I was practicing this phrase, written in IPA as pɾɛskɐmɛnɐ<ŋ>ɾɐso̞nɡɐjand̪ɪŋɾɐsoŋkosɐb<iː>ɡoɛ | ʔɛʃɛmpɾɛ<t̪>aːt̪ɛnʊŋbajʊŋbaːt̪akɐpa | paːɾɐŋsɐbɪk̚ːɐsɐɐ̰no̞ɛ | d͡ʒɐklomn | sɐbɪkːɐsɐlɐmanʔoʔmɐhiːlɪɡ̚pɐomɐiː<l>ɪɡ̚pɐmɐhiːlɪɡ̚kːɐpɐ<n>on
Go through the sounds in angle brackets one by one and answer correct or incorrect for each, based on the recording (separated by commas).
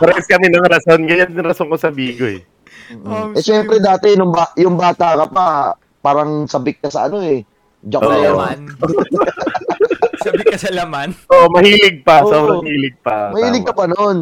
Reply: correct, correct, incorrect, correct, correct